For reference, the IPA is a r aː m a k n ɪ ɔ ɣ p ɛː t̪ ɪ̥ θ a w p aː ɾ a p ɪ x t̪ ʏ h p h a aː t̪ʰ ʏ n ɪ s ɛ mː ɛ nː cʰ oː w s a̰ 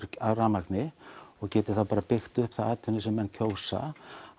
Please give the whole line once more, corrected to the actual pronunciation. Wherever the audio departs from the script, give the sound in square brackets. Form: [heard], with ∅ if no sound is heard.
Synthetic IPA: a r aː m a k n ɪ ɔ ɣ [c] ɛː t̪ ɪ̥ θ a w p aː ɾ a p ɪ x t̪ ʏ h p [θ] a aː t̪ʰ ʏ n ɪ s ɛ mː ɛ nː cʰ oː w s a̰